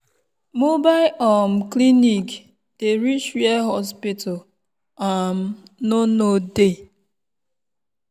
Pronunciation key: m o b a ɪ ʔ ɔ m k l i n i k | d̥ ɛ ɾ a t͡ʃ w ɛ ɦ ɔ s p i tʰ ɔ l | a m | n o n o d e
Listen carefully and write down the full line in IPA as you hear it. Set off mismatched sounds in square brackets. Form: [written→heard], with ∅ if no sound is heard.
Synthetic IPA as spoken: m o b a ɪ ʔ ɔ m k l i n i k | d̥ [ɛ→e] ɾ [a→i] t͡ʃ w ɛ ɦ ɔ s p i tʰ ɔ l | a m | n o n o d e